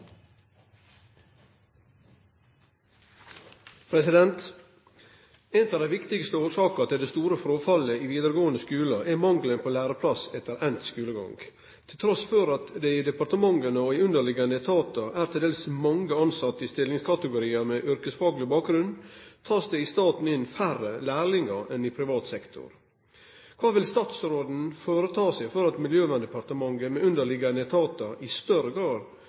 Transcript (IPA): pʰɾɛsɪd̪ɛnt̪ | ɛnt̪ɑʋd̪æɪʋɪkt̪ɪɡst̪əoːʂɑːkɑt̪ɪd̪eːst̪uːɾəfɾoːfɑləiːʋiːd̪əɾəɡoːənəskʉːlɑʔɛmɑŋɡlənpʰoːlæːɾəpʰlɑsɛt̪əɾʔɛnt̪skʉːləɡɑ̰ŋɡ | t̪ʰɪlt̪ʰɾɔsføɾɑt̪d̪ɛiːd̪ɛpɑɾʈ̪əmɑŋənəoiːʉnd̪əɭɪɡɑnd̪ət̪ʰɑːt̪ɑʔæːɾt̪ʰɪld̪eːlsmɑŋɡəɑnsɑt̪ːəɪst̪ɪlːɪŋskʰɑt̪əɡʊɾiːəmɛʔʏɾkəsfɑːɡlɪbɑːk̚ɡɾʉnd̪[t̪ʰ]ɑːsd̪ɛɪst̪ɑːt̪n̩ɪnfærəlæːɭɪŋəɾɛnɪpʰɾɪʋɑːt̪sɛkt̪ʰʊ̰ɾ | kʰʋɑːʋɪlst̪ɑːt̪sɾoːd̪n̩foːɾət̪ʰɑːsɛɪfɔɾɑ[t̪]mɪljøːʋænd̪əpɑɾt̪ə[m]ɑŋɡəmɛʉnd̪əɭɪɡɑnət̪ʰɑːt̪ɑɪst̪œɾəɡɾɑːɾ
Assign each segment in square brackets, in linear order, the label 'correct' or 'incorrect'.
correct, correct, correct

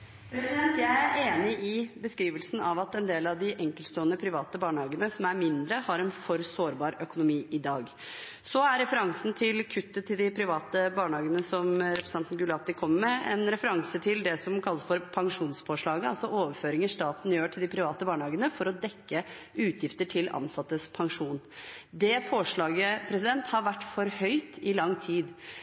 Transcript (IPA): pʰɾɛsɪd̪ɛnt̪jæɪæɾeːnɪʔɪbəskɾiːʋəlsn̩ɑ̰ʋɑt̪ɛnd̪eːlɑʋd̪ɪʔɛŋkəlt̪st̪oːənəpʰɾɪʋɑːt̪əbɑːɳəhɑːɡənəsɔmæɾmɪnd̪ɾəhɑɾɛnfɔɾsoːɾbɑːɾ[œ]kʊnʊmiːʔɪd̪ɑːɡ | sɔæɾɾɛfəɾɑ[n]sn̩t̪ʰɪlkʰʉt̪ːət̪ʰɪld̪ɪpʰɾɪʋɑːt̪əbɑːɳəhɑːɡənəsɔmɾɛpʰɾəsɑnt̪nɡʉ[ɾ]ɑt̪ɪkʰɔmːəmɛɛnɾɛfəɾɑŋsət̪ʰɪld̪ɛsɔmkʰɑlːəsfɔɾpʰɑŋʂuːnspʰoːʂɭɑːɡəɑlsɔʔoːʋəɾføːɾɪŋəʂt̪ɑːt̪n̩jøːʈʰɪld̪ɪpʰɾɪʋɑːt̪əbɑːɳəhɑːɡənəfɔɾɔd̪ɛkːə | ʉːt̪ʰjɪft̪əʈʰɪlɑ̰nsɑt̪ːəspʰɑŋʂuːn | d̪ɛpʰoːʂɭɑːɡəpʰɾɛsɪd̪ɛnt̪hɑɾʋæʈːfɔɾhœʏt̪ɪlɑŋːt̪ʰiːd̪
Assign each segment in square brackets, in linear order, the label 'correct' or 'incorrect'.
correct, incorrect: ŋ, incorrect: l

